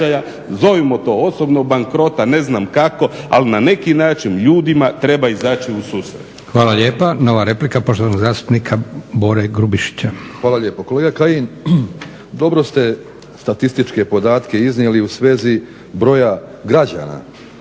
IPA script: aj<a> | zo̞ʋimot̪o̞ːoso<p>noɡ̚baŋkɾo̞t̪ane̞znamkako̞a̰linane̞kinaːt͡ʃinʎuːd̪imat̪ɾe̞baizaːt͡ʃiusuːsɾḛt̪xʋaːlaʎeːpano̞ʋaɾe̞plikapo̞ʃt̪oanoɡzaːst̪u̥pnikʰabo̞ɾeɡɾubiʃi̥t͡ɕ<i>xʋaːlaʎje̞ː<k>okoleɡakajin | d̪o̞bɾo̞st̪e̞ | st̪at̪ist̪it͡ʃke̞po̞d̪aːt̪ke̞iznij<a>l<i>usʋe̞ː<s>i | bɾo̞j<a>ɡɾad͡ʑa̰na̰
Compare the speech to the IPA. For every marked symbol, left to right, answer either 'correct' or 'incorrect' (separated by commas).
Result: correct, incorrect, incorrect, incorrect, incorrect, correct, incorrect, correct